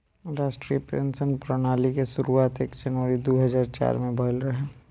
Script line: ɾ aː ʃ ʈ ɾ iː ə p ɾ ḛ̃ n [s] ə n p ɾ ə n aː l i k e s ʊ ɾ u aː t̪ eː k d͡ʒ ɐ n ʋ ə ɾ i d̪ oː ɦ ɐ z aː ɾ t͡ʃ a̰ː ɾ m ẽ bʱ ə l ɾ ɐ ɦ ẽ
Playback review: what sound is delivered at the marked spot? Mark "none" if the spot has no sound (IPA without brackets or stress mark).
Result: s